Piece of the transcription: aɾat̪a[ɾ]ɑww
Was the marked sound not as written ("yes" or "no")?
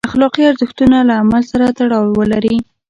yes